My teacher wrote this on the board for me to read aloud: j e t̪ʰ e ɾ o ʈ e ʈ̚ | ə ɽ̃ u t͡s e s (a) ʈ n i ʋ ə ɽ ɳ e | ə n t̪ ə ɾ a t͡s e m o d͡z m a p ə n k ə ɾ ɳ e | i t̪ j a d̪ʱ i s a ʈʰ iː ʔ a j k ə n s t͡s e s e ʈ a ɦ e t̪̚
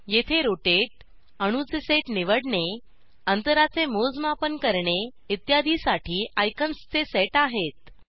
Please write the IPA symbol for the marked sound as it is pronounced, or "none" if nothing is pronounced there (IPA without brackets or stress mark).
e